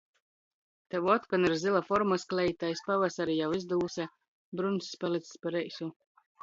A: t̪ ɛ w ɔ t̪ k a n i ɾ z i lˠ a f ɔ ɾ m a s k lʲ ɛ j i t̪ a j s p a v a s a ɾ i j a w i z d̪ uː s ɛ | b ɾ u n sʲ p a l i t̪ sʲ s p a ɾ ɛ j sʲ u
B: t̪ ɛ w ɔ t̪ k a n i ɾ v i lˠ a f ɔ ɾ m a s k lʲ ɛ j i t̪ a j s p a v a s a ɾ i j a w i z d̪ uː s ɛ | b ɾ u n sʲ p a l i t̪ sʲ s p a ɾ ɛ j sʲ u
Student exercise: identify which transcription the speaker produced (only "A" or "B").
A